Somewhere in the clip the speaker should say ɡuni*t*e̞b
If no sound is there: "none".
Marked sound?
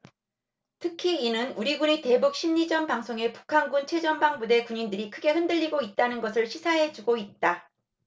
t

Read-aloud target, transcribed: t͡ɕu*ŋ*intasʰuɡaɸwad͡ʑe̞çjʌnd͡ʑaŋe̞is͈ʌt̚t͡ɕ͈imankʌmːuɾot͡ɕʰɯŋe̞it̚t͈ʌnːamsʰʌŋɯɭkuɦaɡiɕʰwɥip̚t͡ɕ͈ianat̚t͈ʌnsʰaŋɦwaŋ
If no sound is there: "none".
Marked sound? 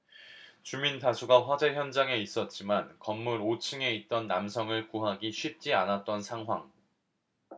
m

